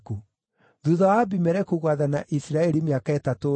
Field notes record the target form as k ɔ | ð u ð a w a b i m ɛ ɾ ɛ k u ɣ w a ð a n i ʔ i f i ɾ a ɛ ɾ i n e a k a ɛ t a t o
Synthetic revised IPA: k u | ð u ð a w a b i m ɛ ɾ ɛ k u ɣ w a ð a n a ʔ i s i ɾ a ɛ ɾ i m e a k a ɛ t a t o